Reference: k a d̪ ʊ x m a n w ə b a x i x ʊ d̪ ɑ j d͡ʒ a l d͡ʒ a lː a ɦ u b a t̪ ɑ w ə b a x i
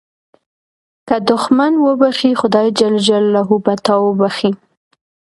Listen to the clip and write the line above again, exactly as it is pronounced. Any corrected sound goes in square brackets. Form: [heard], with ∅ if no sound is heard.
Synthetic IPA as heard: k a d̪ ʊ x m a n w ə b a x i x ʊ d̪ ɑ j d͡ʒ a l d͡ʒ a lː a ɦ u b a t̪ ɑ w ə b a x i